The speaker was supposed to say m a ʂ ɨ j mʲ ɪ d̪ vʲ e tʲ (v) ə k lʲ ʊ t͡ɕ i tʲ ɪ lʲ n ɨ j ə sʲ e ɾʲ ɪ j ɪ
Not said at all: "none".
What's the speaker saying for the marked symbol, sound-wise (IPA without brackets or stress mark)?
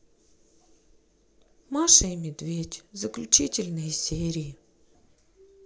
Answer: z